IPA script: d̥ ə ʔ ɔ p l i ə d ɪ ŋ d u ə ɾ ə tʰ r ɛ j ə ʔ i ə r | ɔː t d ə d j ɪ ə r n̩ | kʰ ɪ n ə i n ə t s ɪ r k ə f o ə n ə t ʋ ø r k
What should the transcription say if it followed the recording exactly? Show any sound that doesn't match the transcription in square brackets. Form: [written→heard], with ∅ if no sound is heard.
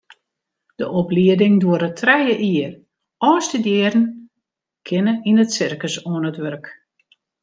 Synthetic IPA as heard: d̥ ə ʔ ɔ p l i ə d ɪ ŋ d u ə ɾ ə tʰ r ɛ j ə ʔ i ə r | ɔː [t→s] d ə d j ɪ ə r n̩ | kʰ ɪ n ə i n ə t s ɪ r k ə [f→s] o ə n ə t ʋ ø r k